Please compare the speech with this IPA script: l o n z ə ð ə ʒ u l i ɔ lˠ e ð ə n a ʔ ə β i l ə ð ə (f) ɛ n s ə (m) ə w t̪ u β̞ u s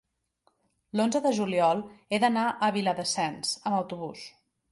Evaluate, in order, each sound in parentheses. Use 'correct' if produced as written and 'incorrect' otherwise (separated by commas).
incorrect, correct